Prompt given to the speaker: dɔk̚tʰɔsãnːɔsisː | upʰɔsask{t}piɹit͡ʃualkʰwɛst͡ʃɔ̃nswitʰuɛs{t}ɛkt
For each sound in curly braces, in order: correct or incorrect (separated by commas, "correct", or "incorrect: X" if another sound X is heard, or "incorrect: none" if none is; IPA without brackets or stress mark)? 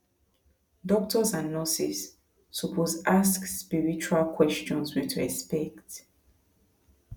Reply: incorrect: s, incorrect: p